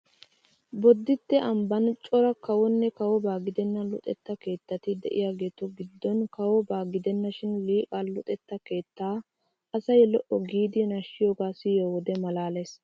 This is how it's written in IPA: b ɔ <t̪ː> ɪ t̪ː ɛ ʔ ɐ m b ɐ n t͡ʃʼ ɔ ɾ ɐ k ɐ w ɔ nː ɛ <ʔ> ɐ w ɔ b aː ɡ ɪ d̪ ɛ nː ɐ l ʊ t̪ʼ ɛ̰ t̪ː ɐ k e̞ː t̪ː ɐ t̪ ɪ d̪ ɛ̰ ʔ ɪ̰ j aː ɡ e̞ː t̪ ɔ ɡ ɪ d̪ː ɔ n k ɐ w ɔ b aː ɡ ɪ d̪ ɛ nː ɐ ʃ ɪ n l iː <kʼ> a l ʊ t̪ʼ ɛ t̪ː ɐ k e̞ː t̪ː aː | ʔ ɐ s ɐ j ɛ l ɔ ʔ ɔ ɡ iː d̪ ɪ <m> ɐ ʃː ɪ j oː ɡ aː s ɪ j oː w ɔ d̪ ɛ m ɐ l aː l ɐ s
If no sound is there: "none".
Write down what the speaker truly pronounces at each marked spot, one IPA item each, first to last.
d̪ː, k, kʼ, n

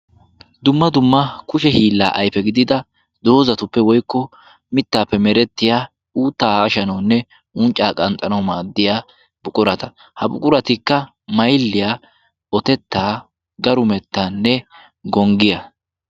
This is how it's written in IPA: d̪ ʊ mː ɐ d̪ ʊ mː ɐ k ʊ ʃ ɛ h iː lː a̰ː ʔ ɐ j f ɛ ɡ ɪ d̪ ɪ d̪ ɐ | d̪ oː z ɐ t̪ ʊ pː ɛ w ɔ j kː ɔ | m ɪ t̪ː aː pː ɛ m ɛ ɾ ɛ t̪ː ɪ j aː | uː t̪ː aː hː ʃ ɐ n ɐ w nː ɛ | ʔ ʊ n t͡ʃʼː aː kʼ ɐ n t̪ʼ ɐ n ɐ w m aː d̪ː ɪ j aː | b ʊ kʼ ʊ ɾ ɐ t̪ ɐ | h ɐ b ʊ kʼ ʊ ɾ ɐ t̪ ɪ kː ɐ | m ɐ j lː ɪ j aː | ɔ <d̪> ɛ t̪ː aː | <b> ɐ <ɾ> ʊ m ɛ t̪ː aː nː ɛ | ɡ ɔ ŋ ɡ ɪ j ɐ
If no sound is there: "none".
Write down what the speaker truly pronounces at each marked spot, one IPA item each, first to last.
t̪, ɡ, ɾ

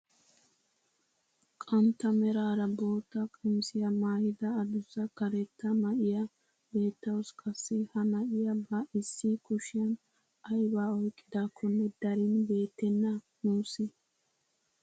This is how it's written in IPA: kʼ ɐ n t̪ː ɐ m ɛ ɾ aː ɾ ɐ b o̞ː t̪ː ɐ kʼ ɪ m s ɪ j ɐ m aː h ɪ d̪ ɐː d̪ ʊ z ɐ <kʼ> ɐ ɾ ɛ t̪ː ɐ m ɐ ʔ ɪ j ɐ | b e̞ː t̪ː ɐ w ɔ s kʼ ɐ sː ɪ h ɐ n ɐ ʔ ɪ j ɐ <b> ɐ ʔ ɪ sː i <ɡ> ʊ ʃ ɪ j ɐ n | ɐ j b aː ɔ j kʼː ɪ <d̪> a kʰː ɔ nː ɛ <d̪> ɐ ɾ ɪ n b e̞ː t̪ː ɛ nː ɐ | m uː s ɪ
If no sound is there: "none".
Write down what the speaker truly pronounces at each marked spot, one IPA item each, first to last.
k, b, k, d̪, d̪

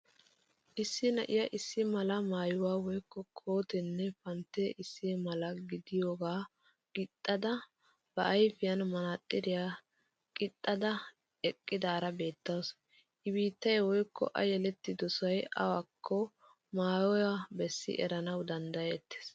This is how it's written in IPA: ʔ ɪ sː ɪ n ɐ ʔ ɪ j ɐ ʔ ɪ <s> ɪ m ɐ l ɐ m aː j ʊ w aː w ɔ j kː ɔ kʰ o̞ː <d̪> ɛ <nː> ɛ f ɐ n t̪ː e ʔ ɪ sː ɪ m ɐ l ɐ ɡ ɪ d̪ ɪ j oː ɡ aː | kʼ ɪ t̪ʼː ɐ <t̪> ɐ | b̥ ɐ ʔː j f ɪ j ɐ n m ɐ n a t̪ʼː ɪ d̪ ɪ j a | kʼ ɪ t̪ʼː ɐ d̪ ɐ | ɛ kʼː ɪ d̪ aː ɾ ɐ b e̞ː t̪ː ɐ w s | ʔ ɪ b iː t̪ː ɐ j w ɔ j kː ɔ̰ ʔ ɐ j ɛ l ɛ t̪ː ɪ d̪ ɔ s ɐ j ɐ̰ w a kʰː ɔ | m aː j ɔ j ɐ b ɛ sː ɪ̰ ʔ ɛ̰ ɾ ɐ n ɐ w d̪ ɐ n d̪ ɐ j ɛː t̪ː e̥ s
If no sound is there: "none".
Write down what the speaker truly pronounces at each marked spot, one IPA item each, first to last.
sː, t̪, nː, d̪

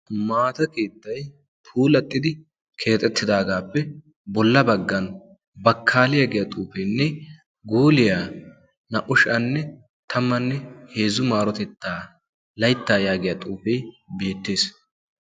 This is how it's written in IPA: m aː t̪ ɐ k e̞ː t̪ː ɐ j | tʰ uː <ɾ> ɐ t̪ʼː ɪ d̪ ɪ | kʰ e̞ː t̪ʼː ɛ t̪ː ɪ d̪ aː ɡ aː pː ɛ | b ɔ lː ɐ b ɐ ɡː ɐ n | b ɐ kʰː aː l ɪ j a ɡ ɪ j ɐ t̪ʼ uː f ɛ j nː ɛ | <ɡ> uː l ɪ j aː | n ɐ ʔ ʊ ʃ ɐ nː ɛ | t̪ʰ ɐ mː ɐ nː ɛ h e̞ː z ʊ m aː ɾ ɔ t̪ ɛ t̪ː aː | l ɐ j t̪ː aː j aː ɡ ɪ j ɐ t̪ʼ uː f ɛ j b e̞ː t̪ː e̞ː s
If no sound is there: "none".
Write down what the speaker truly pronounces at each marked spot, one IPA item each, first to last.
l, ɡ

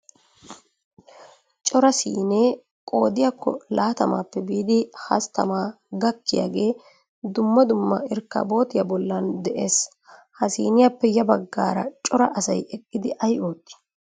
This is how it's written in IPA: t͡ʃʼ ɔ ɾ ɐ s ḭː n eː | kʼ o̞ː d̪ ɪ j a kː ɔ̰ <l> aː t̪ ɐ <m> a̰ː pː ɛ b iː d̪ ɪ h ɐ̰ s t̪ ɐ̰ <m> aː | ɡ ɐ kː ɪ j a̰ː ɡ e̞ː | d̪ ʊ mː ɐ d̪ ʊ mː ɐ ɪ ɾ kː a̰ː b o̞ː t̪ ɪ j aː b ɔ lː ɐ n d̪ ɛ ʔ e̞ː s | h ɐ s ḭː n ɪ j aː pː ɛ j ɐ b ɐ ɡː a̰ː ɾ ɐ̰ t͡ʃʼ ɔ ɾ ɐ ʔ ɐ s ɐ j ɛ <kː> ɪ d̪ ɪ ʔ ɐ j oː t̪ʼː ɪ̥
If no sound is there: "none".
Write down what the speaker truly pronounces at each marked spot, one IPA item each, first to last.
l, m, m, kʼː

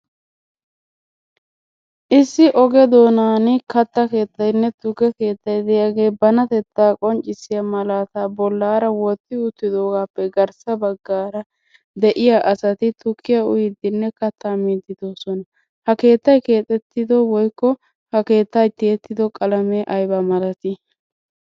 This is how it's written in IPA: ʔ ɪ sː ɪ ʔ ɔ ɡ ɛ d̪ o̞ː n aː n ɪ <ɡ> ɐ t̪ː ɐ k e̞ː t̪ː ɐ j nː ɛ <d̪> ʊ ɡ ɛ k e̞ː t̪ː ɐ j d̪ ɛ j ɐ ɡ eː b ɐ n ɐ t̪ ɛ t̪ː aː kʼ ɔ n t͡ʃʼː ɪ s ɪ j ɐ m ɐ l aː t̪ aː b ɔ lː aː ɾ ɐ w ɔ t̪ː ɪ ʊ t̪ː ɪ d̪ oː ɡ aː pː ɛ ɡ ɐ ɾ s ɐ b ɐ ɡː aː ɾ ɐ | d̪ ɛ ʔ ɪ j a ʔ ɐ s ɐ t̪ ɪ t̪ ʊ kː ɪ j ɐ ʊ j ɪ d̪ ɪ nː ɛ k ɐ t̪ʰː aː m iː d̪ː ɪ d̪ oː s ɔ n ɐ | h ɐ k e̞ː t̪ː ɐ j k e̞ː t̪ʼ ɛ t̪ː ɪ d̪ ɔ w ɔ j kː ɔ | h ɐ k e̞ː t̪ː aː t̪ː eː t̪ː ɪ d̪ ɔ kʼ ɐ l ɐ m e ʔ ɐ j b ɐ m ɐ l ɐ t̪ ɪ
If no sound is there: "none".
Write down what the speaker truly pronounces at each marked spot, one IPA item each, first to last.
k, t̪

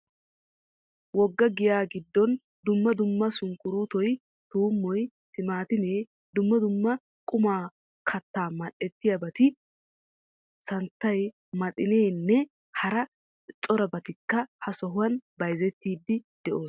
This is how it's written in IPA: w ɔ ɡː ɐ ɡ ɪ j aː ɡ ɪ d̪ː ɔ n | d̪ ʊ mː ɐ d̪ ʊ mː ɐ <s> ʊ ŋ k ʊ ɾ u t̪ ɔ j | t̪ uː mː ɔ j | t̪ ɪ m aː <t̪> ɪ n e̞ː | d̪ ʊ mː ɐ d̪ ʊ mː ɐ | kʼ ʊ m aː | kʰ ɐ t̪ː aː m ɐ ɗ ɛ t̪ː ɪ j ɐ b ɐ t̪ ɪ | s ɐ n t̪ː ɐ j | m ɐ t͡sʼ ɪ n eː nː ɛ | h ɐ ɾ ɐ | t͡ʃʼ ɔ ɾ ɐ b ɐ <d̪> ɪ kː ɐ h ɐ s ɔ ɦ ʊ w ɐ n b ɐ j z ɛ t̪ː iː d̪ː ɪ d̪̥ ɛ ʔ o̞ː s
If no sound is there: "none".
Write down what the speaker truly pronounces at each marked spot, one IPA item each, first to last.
s, t̪, t̪

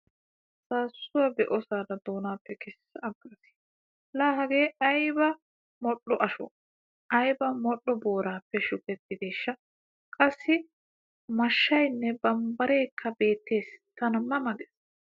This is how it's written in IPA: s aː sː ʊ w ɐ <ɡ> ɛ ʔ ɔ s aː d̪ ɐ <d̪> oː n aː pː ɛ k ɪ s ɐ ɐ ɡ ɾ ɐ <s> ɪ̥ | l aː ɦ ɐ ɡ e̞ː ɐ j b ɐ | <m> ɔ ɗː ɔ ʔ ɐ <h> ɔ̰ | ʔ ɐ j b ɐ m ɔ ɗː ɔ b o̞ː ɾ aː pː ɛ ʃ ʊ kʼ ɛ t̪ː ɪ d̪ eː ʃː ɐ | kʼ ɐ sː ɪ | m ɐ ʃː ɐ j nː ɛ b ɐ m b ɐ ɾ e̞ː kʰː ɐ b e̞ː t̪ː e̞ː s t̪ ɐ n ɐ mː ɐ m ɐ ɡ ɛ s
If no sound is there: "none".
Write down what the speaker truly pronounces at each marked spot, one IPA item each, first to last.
b, d̪, s, m, ʃ

